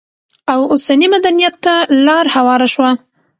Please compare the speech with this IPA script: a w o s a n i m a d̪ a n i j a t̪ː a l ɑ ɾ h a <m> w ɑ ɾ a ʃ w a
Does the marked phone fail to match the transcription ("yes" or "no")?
yes